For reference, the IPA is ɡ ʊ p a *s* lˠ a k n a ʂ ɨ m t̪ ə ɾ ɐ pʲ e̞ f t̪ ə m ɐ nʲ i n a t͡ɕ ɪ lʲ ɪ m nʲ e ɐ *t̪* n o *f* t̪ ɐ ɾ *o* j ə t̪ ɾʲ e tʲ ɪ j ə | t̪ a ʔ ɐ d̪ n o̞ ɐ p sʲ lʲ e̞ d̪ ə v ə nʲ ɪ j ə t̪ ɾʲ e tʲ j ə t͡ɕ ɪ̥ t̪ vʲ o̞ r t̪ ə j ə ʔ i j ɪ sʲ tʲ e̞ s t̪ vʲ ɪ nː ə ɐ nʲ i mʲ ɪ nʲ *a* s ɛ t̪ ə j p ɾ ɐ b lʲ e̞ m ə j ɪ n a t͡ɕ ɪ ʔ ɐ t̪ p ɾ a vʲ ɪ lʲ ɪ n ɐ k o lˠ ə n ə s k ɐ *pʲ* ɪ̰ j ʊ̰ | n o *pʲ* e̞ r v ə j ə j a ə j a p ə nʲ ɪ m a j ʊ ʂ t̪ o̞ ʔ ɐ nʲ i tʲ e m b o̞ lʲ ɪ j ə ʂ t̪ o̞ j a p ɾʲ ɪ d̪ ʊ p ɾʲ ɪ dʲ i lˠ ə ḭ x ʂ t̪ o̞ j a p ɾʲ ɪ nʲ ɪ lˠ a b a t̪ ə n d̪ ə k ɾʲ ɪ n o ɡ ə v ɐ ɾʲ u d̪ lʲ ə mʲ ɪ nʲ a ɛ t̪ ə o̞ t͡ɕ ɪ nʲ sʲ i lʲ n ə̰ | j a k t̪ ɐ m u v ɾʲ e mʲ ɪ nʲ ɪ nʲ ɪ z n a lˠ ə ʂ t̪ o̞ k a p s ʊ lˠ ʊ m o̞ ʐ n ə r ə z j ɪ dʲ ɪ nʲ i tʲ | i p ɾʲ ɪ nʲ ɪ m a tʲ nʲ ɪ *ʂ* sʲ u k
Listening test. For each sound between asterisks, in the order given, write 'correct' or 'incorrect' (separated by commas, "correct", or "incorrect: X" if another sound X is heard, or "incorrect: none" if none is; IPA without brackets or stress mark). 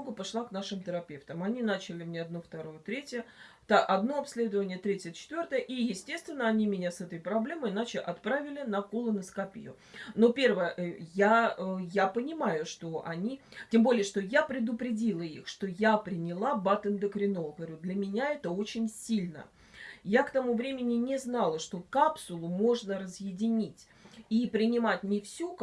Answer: incorrect: ʂ, incorrect: d̪, correct, correct, correct, correct, correct, incorrect: f